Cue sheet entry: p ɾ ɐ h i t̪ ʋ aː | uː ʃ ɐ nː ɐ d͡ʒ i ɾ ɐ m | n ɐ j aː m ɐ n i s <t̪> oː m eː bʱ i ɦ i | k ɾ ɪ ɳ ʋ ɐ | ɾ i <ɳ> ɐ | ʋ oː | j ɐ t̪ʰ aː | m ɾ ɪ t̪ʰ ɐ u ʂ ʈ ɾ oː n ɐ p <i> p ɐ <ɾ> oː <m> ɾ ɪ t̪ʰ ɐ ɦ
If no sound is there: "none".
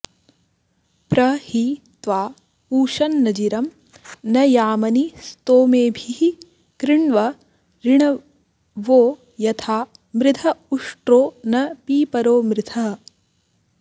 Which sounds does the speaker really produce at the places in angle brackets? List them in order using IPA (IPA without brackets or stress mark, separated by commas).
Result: t̪, ɳ, iː, ɾ, m